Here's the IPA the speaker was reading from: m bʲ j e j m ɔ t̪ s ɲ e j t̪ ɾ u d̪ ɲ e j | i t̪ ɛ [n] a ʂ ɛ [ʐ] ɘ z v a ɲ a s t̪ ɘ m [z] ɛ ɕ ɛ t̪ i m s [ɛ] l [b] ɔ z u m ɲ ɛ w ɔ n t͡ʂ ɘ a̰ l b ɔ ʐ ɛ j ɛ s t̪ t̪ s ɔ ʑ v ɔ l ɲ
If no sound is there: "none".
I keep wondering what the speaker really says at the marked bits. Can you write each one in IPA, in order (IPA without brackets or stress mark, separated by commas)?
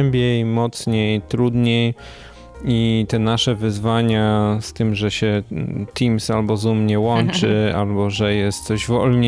n, v, ʐ, a, b